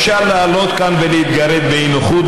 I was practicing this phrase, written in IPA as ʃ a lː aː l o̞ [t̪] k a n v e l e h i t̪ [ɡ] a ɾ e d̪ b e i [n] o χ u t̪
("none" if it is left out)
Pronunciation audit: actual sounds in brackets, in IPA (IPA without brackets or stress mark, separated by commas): t̪, ɡ, n